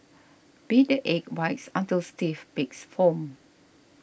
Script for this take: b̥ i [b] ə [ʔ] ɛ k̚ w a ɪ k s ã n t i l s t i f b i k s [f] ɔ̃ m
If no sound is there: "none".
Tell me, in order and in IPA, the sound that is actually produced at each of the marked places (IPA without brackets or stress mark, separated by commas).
d, ʔ, f